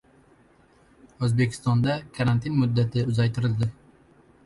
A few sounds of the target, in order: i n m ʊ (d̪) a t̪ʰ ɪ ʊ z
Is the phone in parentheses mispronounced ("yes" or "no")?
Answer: yes